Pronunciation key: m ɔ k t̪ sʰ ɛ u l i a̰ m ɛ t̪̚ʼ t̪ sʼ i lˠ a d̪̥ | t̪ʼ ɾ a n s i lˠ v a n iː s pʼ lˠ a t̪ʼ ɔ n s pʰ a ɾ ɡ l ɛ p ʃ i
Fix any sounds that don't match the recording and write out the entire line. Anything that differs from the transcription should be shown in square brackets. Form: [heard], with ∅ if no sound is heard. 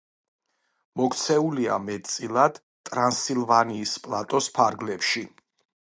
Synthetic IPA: m ɔ k t̪ sʰ ɛ u l i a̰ m ɛ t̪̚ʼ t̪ sʼ i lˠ a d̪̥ | t̪ʼ ɾ a n s i lˠ v a n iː s pʼ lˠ a t̪ʼ ɔ [∅] s pʰ a ɾ ɡ l ɛ p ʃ i